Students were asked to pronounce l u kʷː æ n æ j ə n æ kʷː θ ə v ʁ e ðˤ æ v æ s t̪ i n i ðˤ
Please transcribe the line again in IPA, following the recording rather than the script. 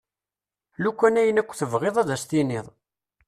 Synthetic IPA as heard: l u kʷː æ n æ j ə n æ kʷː θ ə v ʁ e ðˤ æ ð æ s t̪ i n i ðˤ